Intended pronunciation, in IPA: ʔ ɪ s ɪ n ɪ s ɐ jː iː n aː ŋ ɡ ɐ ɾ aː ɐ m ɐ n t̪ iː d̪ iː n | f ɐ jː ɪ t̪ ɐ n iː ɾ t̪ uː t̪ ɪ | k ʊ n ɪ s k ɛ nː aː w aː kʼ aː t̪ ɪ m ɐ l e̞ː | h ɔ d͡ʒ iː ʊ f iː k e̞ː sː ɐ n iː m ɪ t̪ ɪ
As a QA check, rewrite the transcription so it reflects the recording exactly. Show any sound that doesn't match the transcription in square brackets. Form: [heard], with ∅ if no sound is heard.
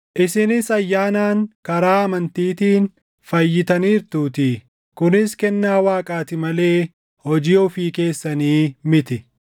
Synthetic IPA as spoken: ʔ ɪ s ɪ n ɪ s ɐ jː [aː] n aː ŋ [k] ɐ ɾ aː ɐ m ɐ n t̪ iː [t̪] iː n | f ɐ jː ɪ t̪ ɐ n iː ɾ t̪ uː t̪ ɪ | k ʊ n ɪ s k ɛ nː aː w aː kʼ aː t̪ ɪ m ɐ l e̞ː | h ɔ d͡ʒ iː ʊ f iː k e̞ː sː ɐ n iː m ɪ t̪ ɪ